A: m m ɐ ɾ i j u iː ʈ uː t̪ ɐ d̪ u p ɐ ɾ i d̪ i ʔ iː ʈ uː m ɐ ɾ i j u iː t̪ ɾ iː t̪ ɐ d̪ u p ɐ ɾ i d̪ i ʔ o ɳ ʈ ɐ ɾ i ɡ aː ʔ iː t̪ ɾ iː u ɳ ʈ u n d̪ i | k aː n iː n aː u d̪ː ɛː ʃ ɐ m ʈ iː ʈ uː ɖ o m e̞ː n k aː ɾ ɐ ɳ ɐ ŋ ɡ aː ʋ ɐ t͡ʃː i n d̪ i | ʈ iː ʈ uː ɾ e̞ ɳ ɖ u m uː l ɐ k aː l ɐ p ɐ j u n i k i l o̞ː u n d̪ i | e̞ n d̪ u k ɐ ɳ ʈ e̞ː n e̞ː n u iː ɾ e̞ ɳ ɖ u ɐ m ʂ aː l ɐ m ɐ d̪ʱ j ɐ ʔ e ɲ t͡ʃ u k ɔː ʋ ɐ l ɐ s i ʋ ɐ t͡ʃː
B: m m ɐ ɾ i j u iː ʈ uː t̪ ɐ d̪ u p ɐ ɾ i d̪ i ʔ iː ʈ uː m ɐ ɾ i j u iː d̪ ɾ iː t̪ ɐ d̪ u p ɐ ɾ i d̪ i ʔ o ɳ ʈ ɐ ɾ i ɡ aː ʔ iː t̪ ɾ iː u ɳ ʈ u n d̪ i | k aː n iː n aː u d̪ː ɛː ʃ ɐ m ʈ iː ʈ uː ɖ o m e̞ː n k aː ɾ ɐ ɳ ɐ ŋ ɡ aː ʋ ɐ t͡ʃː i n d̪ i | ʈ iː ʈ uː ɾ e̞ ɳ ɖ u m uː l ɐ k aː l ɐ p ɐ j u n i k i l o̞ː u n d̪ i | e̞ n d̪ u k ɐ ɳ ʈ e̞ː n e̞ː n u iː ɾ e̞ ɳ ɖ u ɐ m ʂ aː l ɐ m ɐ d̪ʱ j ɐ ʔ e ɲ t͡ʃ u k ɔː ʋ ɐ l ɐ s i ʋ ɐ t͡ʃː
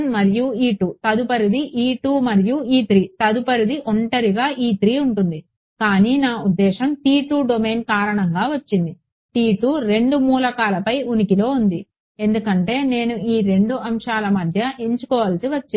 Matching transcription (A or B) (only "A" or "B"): A